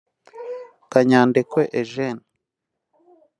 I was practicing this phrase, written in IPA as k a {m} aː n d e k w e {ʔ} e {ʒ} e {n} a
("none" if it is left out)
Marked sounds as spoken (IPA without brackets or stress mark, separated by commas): ɲ, ʔ, ʒ, n